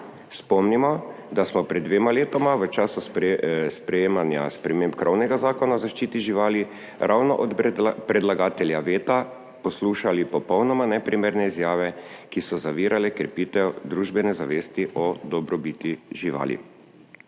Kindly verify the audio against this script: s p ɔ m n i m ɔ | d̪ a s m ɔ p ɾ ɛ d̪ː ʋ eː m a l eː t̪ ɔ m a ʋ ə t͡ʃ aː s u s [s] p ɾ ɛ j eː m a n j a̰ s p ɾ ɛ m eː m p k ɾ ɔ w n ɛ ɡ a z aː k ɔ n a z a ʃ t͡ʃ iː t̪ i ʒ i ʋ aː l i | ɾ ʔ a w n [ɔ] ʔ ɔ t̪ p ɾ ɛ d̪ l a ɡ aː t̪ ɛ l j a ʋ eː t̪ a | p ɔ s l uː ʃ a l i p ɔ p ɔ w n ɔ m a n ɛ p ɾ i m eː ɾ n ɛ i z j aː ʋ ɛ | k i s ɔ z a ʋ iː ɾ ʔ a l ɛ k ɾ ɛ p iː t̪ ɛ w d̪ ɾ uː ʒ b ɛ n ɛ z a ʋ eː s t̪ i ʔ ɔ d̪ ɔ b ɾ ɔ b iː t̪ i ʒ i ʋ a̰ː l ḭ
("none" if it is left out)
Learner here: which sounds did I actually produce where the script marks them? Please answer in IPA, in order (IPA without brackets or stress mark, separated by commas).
s, ɔ